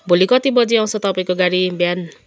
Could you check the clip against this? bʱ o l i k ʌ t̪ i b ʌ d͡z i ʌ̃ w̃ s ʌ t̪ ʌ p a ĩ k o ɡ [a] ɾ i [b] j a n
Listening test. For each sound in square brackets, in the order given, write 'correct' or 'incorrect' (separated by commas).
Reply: correct, correct